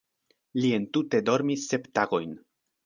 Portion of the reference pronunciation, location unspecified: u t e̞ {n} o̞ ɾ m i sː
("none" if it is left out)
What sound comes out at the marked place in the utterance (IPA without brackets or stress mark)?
d